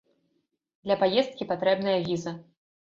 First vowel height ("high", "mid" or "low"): low